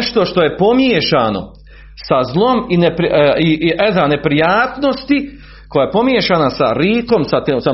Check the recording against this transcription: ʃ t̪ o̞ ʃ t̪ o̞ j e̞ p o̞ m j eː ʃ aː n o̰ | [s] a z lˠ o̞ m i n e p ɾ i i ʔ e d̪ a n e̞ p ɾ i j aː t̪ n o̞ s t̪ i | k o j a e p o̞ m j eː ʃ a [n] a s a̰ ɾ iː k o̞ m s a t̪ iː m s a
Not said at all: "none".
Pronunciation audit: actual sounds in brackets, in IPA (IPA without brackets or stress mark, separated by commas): s, n